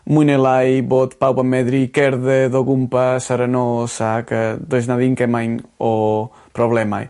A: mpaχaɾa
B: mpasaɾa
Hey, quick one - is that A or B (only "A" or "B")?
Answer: B